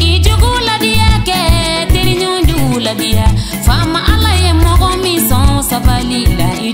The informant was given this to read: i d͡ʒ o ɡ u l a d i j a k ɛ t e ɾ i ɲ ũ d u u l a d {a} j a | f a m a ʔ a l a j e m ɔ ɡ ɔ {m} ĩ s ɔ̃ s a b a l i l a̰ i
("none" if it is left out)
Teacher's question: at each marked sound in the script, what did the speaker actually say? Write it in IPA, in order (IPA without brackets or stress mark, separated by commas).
i, m